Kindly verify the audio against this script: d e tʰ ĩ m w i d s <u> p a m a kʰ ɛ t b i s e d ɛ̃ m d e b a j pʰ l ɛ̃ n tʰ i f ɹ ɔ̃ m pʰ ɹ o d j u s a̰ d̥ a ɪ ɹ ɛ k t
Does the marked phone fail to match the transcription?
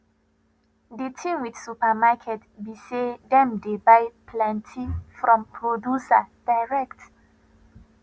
no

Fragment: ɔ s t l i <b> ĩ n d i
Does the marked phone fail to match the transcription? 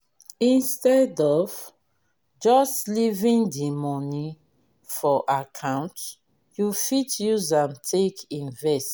yes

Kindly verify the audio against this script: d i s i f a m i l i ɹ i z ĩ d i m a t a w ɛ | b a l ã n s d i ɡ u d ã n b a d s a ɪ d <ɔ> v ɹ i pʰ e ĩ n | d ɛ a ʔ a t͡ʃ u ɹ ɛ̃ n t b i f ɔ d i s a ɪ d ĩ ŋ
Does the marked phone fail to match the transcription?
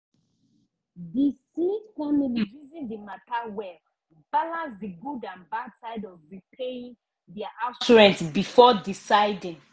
no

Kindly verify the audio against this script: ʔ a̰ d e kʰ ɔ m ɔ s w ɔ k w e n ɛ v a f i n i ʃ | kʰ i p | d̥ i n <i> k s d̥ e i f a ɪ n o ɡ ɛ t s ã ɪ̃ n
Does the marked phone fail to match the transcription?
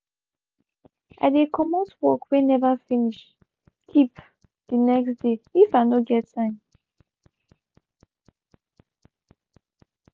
yes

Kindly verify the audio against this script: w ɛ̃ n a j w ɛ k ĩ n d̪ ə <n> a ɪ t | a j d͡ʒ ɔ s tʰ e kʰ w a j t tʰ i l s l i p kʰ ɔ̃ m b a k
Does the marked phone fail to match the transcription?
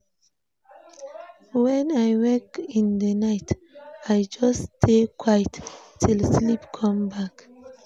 no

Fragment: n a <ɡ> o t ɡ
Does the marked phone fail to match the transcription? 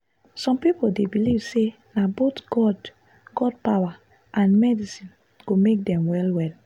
yes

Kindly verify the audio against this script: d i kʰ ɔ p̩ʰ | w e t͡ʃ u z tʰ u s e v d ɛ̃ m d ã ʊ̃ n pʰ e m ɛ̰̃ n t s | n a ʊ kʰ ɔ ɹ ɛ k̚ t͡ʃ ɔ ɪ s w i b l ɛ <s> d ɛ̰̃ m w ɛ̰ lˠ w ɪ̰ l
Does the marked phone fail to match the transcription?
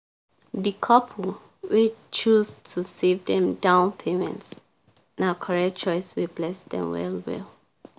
no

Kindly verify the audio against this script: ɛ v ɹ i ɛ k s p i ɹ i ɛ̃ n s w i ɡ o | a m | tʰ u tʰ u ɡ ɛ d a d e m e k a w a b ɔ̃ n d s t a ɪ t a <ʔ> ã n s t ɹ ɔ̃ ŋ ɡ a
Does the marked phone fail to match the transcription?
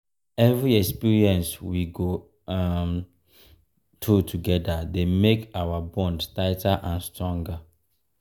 no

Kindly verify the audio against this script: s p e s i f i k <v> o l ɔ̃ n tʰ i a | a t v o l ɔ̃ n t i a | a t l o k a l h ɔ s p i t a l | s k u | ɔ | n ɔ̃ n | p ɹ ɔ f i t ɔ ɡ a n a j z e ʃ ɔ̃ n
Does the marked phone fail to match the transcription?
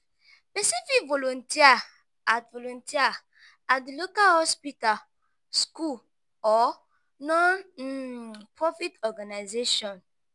no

